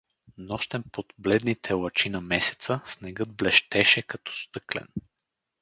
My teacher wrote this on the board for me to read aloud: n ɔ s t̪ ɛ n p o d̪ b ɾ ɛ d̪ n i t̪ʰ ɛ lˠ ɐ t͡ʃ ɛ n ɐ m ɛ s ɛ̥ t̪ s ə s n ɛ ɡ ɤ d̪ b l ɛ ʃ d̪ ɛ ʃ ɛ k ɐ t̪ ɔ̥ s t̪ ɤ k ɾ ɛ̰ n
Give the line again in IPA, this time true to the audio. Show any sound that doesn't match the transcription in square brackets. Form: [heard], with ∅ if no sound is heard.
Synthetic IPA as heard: n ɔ [ʃ] t̪ ɛ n p o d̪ b [l] ɛ d̪ n i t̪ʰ ɛ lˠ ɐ t͡ʃ [i] n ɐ m ɛ s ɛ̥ t̪ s ə s n ɛ ɡ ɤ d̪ b l ɛ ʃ [t̪] ɛ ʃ ɛ k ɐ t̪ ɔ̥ s t̪ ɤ k [l] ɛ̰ n